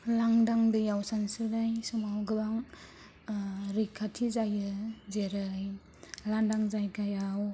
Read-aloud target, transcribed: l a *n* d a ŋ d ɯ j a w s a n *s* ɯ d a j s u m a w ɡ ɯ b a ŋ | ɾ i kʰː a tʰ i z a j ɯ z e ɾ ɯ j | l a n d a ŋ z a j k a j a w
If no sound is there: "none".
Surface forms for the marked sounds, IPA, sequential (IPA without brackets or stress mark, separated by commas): ŋ, s